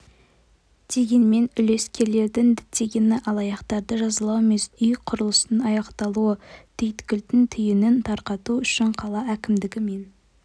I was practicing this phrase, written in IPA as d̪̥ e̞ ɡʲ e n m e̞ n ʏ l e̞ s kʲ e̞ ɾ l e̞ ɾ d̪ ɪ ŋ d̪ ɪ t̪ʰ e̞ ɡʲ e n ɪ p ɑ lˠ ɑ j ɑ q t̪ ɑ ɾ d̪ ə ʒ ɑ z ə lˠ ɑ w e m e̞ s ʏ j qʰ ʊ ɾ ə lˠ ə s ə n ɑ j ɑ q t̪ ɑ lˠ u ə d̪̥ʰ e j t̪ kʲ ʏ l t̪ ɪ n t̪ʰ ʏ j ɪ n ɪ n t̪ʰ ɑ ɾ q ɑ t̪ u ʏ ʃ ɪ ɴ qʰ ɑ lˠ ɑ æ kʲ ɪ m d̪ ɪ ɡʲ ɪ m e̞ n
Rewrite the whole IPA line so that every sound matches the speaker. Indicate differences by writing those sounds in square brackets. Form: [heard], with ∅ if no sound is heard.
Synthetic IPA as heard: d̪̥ e̞ ɡʲ e n m e̞ n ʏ l e̞ s kʲ e̞ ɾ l e̞ ɾ d̪ ɪ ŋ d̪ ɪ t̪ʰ e̞ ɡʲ e n ɪ [ʔ] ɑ lˠ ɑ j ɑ q t̪ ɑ ɾ d̪ ə ʒ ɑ z ə lˠ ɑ w e m e̞ s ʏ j qʰ ʊ ɾ ə lˠ ə s ə n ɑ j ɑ q t̪ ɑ lˠ u ə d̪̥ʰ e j t̪ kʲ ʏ l t̪ ɪ n t̪ʰ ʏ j ɪ n ɪ n t̪ʰ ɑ ɾ q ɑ t̪ u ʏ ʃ ɪ ɴ qʰ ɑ lˠ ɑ æ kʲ ɪ m d̪ ɪ ɡʲ ɪ m e̞ n